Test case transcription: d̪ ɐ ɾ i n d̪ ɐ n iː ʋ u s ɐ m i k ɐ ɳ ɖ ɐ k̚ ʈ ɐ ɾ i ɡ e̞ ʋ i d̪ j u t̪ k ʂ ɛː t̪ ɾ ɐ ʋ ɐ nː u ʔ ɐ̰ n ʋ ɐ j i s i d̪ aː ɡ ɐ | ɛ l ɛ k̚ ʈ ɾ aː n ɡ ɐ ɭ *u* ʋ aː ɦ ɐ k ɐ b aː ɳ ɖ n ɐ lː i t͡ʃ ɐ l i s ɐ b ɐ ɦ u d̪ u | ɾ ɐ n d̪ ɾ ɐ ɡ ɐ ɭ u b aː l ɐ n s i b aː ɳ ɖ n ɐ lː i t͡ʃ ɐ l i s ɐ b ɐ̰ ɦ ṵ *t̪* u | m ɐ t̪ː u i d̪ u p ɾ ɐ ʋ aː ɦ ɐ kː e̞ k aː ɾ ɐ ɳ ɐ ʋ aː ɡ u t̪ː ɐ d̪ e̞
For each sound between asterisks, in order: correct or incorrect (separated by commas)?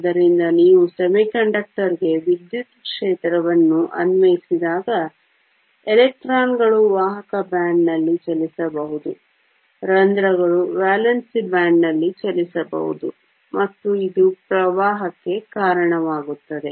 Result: correct, incorrect